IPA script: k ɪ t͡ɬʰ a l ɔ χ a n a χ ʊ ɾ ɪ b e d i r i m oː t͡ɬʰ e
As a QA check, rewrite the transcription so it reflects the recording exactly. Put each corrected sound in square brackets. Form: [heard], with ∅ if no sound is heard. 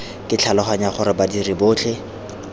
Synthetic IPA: k ɪ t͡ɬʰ a l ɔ χ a [ɲ] a χ ʊ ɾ ɪ b [a] d i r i [b] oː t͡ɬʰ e

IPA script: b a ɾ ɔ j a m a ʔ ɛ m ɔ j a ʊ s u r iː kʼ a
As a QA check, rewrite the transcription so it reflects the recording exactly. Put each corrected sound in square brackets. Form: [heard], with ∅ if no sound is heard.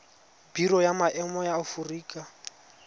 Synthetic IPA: b [i] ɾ ɔ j a m a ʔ ɛ m ɔ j a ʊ [f] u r iː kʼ a

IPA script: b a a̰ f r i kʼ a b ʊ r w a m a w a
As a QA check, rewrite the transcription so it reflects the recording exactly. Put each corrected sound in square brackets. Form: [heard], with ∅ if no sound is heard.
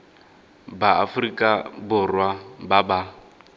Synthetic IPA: b a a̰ f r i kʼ a b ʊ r w a [b] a [b] a

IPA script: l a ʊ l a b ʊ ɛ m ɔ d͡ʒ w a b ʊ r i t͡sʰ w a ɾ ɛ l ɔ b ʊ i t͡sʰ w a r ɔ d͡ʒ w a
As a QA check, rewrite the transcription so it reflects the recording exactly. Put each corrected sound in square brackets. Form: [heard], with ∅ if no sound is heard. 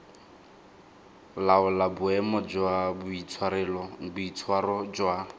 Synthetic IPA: l a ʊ l a b ʊ ɛ m ɔ d͡ʒ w a b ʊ [∅] i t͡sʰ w a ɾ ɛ l ɔ b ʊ i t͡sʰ w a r ɔ d͡ʒ w a

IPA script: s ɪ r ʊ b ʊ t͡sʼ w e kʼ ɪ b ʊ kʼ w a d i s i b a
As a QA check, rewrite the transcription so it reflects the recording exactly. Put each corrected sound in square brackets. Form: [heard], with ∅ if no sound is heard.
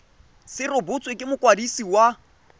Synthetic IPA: s ɪ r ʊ b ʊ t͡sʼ w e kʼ ɪ [m] ʊ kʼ w a d i s i [w] a

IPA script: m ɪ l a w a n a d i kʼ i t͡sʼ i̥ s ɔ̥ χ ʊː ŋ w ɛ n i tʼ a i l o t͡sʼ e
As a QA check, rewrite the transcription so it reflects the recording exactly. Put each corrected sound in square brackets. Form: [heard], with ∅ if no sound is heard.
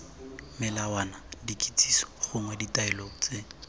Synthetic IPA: m ɪ l a w a n a d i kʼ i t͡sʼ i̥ s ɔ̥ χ [ʊ] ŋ w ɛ [d] i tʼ a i l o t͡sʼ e

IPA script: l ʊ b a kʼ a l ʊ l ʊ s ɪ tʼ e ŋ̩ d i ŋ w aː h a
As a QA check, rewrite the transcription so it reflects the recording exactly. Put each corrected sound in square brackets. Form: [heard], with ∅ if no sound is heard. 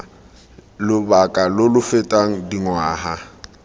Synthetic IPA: l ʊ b a kʼ a l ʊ l ʊ [f] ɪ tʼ [a] ŋ̩ d i ŋ w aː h a

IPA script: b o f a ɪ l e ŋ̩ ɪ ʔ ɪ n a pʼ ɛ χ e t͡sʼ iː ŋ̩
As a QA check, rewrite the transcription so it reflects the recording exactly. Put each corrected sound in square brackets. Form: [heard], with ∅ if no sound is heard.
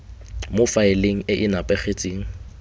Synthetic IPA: [m] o f a ɪ l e ŋ̩ ɪ ʔ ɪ n a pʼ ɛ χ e t͡sʼ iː ŋ̩

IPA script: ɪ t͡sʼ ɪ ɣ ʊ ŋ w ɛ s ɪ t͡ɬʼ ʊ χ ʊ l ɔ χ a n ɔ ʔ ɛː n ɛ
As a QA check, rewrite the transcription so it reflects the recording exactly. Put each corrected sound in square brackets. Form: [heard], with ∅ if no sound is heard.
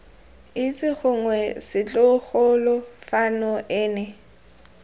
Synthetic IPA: ɪ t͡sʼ ɪ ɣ ʊ ŋ w ɛ s ɪ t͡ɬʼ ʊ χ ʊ l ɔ [f] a n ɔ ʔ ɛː n ɛ

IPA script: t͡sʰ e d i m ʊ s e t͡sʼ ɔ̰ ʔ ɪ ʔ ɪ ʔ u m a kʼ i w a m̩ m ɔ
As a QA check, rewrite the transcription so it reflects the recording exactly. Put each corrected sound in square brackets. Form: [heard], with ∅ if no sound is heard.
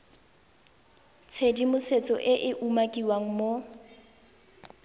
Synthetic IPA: t͡sʰ e d i m ʊ s e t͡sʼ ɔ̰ ʔ ɪ ʔ ɪ ʔ u m a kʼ i w a [ŋ̩] m [o]

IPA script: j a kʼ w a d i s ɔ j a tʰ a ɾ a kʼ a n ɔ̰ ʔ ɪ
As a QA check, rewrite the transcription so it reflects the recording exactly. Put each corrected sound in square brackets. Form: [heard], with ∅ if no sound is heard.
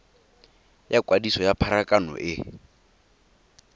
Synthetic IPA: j a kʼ w a d i s ɔ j a [pʰ] a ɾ a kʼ a n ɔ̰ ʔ ɪ

